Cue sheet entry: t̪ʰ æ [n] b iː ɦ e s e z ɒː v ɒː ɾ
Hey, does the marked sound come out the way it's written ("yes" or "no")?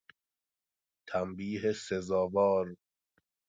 no